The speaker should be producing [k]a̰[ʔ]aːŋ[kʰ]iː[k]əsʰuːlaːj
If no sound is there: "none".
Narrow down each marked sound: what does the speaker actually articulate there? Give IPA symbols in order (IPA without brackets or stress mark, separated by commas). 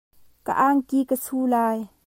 k, ʔ, k, k